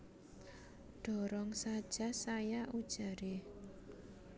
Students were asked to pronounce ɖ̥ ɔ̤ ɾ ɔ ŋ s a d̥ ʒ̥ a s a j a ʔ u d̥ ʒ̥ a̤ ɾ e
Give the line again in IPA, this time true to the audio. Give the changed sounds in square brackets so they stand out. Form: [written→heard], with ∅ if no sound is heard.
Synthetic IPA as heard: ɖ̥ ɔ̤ ɾ ɔ ŋ s a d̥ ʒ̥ a s a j a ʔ u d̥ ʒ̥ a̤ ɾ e